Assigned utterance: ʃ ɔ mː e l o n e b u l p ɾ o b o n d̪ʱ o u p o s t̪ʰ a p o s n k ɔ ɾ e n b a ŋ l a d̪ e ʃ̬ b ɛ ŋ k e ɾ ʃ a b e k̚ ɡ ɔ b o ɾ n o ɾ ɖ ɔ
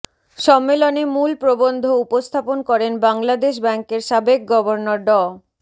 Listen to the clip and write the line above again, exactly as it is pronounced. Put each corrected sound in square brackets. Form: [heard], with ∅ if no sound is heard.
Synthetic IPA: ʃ ɔ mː e l o n e [m] u l p ɾ o b o n d̪ʱ o u p o s t̪ʰ a p o [∅] n k ɔ ɾ e n b a ŋ l a d̪ e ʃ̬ b ɛ ŋ k e ɾ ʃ a b e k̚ ɡ ɔ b o ɾ n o ɾ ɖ ɔ